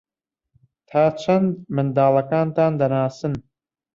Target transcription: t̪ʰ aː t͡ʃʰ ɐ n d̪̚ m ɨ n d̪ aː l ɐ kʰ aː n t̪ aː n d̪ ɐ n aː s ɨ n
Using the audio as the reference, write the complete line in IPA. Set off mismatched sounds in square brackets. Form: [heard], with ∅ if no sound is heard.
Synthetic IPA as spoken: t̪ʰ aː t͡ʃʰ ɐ n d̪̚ m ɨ n d̪ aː l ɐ [k] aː n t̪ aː n d̪ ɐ n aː s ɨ n